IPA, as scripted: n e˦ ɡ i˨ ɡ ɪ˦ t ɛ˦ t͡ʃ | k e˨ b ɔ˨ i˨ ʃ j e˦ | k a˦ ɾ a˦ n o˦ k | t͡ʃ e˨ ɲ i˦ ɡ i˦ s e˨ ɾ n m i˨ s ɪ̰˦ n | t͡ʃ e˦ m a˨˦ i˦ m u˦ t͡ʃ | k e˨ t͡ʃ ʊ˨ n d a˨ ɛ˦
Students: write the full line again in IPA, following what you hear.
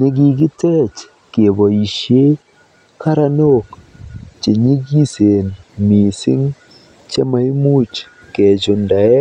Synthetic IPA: n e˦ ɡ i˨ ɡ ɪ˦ t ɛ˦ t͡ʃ | k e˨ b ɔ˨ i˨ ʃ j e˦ | k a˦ ɾ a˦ n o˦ k | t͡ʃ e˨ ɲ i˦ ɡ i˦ s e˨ n m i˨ s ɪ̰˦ ŋ | t͡ʃ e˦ m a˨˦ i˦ m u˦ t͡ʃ | k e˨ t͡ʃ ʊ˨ n d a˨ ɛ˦